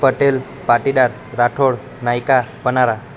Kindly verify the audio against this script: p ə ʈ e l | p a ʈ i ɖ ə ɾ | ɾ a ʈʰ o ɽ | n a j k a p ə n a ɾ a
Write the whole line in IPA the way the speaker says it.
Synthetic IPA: p ə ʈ e l | p a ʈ i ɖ a ɾ | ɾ a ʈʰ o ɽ | n a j k a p ə n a ɾ a